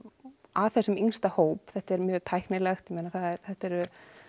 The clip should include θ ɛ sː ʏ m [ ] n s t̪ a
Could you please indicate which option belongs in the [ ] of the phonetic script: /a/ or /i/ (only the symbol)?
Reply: i